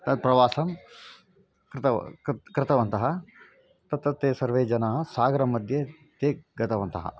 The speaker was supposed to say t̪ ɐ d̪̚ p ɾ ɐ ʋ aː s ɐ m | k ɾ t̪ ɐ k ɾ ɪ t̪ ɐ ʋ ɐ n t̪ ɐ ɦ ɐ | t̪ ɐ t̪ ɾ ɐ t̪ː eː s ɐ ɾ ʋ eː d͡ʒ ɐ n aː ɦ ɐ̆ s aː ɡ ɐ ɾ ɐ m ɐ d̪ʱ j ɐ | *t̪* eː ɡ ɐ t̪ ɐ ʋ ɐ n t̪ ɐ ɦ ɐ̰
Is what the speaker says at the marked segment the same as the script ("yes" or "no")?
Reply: yes